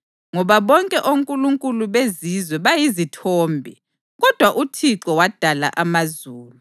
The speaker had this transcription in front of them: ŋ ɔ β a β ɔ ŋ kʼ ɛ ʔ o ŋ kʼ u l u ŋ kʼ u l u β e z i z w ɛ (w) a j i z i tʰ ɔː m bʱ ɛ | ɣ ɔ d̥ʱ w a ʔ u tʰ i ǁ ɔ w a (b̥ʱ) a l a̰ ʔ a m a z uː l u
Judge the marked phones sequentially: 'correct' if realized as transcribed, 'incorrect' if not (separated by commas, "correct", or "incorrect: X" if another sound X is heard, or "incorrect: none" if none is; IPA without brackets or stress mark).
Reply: incorrect: β, incorrect: d̥ʱ